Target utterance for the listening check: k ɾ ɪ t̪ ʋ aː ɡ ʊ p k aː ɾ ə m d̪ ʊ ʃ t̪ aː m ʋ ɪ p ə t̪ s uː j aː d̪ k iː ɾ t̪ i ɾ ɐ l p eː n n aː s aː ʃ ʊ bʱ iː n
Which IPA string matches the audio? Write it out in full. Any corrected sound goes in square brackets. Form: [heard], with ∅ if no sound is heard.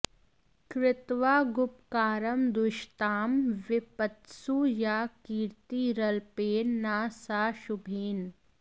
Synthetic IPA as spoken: k ɾ ɪ t̪ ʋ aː ɡ ʊ p k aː ɾ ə m d̪ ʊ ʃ t̪ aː m ʋ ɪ p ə t̪ s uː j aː [∅] k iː ɾ t̪ i ɾ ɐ l p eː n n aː s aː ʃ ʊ bʱ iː n